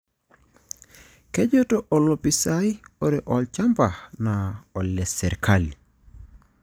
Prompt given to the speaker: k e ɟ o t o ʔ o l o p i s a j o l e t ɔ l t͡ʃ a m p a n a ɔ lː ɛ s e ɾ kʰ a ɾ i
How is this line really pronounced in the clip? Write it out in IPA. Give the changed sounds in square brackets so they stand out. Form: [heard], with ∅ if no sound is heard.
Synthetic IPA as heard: k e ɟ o t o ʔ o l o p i s a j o [ɾ] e [ʔ] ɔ l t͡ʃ a m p a n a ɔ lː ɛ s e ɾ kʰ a [l] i